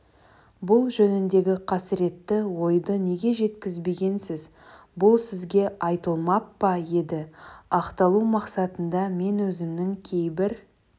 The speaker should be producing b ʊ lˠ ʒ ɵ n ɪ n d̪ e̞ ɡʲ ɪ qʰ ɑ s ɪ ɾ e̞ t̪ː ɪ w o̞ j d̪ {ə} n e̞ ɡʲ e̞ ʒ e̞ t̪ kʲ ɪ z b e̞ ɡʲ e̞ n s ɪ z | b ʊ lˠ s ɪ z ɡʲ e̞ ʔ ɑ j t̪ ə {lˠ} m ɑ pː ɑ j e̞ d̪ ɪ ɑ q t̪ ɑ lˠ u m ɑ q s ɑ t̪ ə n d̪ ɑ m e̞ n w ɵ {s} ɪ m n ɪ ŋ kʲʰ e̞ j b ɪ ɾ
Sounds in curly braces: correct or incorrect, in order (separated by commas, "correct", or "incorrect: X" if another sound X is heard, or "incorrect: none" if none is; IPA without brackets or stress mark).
correct, correct, incorrect: z